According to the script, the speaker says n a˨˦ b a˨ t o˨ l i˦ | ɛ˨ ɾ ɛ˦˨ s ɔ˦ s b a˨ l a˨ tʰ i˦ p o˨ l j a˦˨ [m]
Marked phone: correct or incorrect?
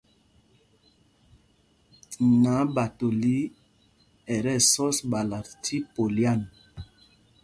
incorrect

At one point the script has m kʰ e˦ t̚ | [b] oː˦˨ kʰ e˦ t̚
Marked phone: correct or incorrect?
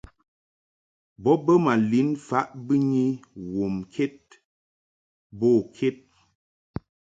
correct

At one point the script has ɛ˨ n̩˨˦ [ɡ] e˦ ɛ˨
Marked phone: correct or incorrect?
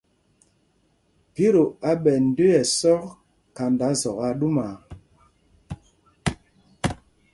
incorrect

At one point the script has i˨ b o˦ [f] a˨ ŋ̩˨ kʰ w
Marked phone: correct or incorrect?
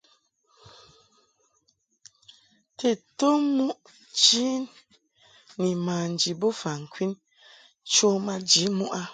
correct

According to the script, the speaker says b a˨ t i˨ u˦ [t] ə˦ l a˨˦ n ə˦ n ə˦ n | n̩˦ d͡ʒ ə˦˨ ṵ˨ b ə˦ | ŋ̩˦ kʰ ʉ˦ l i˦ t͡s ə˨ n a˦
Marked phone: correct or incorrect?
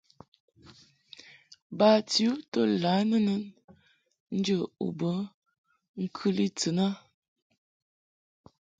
correct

